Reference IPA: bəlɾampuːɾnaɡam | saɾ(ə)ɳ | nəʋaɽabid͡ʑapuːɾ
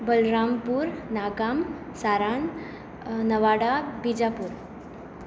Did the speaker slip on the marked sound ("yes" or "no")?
yes